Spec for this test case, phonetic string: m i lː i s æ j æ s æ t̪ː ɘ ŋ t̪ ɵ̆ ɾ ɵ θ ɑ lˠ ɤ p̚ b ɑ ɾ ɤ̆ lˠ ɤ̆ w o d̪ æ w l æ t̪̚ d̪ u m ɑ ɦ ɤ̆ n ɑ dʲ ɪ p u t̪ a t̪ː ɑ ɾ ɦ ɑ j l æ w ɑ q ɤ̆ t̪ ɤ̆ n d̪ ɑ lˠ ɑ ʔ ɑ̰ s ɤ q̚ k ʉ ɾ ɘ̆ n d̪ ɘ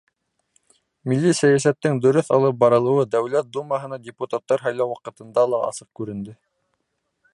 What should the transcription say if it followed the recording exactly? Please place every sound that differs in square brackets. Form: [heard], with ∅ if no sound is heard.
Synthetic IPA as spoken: m i lː i s æ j æ s æ t̪ː ɘ ŋ [d̪] ɵ̆ ɾ ɵ θ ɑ lˠ ɤ p̚ b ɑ ɾ ɤ̆ lˠ ɤ̆ w [ɤ] d̪ æ w l æ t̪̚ d̪ u m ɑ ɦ ɤ̆ n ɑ dʲ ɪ p u t̪ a t̪ː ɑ ɾ ɦ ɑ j l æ w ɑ q ɤ̆ t̪ ɤ̆ n d̪ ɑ lˠ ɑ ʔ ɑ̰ s ɤ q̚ k ʉ ɾ ɘ̆ n d̪ ɘ

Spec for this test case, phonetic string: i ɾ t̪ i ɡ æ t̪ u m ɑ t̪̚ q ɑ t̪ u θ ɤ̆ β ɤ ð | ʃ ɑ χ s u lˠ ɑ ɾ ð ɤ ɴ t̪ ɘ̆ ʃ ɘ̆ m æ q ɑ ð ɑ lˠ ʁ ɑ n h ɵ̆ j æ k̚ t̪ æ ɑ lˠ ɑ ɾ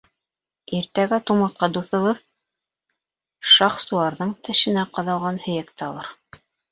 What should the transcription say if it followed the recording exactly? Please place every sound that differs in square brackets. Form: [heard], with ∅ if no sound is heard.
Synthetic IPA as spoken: i ɾ t̪ [æ] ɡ æ t̪ u m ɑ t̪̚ q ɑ [d̪] u θ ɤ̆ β ɤ ð | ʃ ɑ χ s u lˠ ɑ ɾ ð ɤ ɴ t̪ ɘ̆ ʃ ɘ̆ [n] æ q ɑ ð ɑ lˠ ʁ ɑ n h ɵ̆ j æ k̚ t̪ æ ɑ lˠ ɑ ɾ

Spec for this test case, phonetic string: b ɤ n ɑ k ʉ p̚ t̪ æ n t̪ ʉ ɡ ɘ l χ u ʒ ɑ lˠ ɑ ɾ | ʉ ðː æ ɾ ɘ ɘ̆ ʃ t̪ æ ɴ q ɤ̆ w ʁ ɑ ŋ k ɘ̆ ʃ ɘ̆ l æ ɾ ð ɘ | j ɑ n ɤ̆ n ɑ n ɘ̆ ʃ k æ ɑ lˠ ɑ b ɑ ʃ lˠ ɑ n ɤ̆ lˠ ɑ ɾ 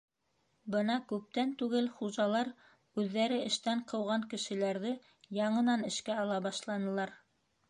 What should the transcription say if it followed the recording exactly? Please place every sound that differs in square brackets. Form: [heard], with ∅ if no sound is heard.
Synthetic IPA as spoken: b ɤ n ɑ k ʉ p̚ t̪ æ n t̪ ʉ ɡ ɘ l χ u ʒ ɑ lˠ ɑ ɾ | ʉ ðː æ ɾ ɘ ɘ̆ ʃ t̪ æ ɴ q ɤ̆ w ʁ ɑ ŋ k ɘ̆ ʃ ɘ̆ l æ ɾ ð ɘ | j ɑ [ɴ] ɤ̆ n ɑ n ɘ̆ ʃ k æ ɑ lˠ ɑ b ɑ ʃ lˠ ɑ n ɤ̆ lˠ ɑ ɾ

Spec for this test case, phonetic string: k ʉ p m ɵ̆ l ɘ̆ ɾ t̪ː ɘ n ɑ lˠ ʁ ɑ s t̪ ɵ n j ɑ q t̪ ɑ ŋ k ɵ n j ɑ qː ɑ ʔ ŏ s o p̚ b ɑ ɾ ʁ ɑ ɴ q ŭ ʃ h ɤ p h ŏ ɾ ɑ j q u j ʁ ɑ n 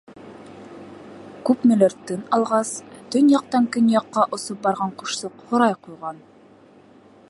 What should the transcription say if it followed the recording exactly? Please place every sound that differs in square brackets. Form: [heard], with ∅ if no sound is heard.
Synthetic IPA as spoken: k ʉ p m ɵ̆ l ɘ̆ ɾ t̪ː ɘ n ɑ lˠ ʁ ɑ s t̪ ɵ n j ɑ q t̪ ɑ ŋ k ɵ n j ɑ qː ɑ ʔ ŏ s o p̚ b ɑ ɾ ʁ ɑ ɴ q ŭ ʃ [s] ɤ [q] h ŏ ɾ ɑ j q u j ʁ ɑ n

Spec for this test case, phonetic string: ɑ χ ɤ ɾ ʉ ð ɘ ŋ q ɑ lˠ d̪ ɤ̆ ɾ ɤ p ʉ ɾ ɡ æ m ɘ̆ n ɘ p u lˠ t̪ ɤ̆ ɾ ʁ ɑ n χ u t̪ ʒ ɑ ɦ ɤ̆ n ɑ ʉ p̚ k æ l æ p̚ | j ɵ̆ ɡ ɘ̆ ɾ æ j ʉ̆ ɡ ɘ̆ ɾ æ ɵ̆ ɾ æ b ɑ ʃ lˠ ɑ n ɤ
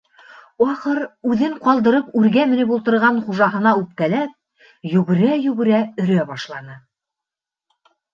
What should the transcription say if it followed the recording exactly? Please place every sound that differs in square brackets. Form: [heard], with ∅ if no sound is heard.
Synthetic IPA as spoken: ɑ χ ɤ ɾ ʉ ð ɘ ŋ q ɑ lˠ d̪ ɤ̆ ɾ ɤ p ʉ ɾ ɡ æ m ɘ̆ n ɘ p u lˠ t̪ ɤ̆ ɾ ʁ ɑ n χ u [∅] ʒ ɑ ɦ ɤ̆ n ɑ ʉ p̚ k æ l æ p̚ | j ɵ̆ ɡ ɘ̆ ɾ æ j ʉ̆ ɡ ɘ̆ ɾ æ ɵ̆ ɾ æ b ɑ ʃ lˠ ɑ n ɤ

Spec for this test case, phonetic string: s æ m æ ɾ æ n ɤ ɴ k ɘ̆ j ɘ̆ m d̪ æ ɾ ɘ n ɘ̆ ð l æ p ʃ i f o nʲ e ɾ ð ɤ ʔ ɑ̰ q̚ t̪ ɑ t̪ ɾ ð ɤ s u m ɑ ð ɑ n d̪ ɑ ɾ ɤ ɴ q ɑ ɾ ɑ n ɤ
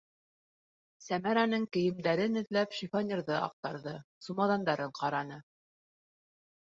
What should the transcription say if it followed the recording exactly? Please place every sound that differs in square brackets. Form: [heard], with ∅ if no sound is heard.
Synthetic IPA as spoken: s æ m æ ɾ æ n ɤ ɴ k ɘ̆ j ɘ̆ m d̪ æ ɾ ɘ n ɘ̆ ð l æ p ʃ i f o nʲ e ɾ ð ɤ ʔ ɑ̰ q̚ t̪ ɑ [∅] ɾ ð ɤ s u m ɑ ð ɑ n d̪ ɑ ɾ ɤ ɴ q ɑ ɾ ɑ n ɤ

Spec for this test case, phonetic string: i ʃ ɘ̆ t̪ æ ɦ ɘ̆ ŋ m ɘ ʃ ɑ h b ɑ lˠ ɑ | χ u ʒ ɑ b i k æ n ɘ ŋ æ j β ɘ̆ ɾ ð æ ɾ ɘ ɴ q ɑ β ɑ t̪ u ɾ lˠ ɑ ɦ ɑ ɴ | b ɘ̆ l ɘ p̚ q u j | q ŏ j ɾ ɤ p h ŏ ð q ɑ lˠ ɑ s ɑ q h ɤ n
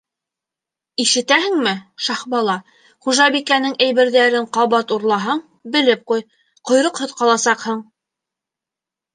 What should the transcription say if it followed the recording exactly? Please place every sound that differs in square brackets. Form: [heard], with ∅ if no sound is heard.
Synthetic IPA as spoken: i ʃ ɘ̆ t̪ æ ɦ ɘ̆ ŋ m ɘ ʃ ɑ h b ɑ lˠ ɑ | χ u ʒ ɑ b i k æ n ɘ ŋ æ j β ɘ̆ ɾ ð æ ɾ ɘ ɴ q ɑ β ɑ t̪ u ɾ lˠ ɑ ɦ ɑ ɴ | b ɘ̆ l ɘ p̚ q u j | q ŏ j ɾ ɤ [q] h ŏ ð q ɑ lˠ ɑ s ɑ q h ɤ [ɴ]

